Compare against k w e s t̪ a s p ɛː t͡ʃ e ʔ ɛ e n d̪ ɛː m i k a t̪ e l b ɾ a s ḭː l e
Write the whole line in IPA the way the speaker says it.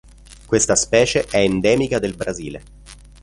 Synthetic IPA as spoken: k w e s t̪ a s p ɛː t͡ʃ e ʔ ɛ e n d̪ ɛː m i k a d̪ e l b ɾ a z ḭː l e